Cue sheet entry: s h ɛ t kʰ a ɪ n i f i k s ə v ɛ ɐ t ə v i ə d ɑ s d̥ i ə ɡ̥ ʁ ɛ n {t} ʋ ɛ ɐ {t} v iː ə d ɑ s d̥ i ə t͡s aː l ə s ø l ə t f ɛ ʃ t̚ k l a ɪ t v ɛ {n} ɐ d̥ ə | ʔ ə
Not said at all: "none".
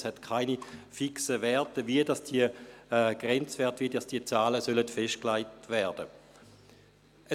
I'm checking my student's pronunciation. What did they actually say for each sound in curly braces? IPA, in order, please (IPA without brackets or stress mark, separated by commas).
t͡s, t, none